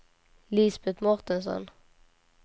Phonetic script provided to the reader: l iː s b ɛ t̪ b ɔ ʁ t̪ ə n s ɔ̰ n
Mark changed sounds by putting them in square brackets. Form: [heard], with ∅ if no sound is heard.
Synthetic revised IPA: l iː s b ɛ t̪ [m] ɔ ʁ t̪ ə n s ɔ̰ n